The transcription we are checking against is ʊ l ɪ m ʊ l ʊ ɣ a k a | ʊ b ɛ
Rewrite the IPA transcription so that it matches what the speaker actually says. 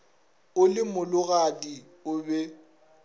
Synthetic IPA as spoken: ʊ l ɪ m ʊ l ʊ ɣ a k i | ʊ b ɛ